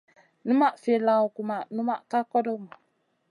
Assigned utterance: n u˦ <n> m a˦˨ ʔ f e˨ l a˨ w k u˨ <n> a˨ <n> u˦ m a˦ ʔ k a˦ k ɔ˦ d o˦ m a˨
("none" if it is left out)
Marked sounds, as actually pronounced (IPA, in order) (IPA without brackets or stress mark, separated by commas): none, m, n